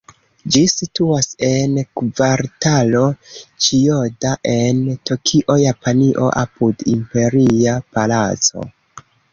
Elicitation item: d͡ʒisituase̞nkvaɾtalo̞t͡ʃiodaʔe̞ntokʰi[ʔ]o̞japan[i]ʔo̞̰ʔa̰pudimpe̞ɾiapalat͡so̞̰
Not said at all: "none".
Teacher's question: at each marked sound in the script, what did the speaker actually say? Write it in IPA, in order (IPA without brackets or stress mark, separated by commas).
ʔ, i